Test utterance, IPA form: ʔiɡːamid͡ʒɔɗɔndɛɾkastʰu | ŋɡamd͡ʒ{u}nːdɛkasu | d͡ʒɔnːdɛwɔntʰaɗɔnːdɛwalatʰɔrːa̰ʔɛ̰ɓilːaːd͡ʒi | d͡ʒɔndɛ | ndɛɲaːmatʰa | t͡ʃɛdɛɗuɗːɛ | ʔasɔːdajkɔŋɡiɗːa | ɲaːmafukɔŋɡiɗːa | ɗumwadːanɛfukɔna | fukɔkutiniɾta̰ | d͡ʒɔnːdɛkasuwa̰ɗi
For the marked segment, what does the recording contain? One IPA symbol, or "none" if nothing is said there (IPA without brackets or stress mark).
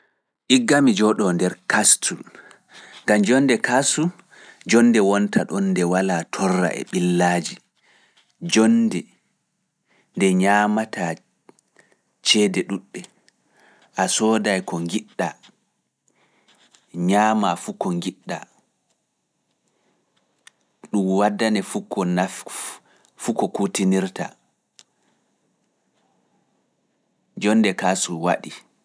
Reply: ɔ